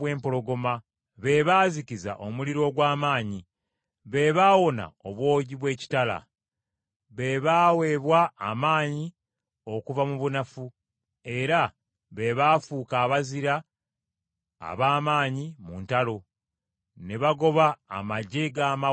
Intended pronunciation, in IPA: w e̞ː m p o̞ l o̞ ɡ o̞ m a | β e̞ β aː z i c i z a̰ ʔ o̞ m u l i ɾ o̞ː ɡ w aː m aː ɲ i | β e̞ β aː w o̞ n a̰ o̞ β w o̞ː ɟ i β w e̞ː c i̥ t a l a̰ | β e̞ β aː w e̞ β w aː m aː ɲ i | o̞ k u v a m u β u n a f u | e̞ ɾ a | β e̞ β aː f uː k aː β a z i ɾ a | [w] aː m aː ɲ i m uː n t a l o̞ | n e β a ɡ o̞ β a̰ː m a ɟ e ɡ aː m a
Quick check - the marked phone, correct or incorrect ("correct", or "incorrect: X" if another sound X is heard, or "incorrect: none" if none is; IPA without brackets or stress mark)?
incorrect: β